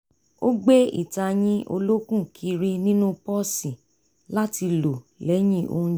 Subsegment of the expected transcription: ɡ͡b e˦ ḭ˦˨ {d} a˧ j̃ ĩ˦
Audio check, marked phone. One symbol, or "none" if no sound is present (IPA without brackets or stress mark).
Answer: t